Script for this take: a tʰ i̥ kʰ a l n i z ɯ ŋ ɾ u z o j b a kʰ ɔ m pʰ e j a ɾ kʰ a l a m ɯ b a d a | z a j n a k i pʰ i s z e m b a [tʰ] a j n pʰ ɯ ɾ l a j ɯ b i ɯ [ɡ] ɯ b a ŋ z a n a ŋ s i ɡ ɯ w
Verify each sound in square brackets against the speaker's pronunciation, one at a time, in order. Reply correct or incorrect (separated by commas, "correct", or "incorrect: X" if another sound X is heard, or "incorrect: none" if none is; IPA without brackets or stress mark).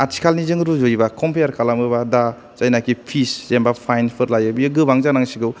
incorrect: pʰ, correct